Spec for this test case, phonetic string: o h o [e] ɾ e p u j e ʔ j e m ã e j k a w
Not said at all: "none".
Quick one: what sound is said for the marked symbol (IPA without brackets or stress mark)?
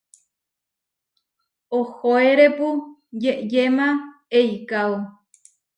e